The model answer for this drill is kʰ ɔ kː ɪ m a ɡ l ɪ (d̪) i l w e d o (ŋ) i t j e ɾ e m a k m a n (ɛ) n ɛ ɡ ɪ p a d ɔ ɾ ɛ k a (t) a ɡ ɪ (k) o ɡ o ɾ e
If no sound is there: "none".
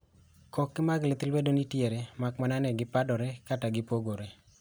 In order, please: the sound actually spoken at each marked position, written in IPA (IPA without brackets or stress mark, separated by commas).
t̪, n, a, t, p